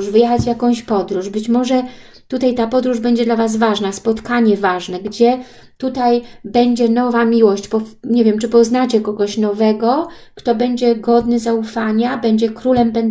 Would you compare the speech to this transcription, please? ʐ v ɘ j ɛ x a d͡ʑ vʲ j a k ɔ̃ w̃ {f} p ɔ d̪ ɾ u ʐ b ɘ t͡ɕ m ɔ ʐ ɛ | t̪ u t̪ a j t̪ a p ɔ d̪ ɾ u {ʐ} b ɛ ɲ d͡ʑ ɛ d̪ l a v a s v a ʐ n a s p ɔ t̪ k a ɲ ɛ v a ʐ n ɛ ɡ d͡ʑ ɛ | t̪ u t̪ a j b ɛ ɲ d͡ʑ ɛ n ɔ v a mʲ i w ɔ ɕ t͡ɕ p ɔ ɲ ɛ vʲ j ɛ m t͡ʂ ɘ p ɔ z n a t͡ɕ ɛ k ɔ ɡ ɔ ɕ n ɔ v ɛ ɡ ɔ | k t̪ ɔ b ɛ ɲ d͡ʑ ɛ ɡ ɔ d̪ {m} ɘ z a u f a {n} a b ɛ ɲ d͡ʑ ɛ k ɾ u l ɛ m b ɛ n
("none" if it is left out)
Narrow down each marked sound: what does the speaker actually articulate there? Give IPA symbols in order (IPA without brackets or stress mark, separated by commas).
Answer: ɕ, ʐ, n, ɲ